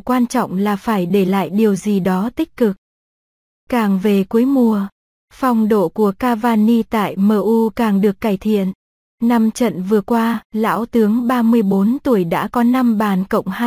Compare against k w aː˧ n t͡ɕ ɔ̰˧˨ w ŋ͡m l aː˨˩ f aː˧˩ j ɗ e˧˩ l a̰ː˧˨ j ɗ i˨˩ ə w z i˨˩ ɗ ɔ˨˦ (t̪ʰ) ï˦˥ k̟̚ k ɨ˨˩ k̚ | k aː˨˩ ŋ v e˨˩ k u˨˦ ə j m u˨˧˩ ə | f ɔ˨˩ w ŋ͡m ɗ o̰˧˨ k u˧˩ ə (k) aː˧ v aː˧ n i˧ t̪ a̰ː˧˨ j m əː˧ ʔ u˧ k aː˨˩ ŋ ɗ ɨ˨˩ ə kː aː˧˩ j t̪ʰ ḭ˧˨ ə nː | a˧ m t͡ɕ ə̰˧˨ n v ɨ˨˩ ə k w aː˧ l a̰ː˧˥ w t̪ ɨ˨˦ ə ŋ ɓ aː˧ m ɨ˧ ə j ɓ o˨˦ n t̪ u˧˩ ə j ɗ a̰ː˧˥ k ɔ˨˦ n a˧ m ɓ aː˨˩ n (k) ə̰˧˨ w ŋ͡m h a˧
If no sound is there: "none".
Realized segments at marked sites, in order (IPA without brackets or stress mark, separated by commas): t̪, k, k